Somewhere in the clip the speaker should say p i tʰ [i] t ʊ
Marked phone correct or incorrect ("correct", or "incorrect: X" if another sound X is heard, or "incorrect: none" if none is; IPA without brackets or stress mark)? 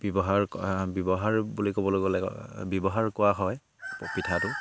incorrect: a